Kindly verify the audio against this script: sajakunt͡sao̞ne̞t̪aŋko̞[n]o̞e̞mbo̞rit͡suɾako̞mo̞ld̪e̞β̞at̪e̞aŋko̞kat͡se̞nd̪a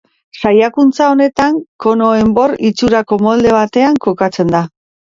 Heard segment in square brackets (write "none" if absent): n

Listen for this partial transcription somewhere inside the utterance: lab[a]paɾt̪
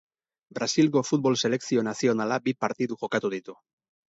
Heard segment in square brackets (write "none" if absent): i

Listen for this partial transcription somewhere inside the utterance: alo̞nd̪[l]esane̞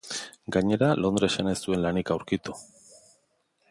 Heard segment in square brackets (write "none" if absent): ɾ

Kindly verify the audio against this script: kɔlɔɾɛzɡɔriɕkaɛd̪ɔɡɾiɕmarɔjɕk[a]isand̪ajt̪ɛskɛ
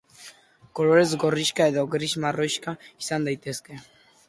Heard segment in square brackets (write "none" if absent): a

